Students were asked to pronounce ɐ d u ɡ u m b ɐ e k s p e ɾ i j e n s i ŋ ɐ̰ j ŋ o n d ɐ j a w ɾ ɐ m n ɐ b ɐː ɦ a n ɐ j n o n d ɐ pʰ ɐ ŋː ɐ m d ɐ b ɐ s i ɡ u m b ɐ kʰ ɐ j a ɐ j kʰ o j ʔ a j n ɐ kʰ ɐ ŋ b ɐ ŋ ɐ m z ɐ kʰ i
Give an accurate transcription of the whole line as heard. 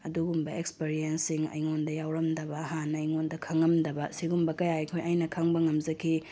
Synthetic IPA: ɐ d u ɡ u m b ɐ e k s p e ɾ i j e n s i ŋ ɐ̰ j ŋ o n d ɐ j a w ɾ ɐ m d ɐ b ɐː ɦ a n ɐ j ŋ o n d ɐ kʰ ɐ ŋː ɐ m d ɐ b ɐ s i ɡ u m b ɐ k ɐ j a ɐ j kʰ o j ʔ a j n ɐ kʰ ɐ ŋ b ɐ ŋ ɐ m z ɐ kʰ i